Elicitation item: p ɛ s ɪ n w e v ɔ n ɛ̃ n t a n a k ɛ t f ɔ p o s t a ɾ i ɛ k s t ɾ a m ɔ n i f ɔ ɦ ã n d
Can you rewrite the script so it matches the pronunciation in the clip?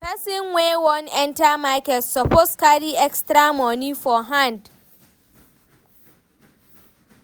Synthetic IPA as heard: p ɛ s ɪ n w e w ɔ n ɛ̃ n t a m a k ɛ t s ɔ p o s k a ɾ i ɛ k s t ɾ a m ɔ n i f ɔ ɦ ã n d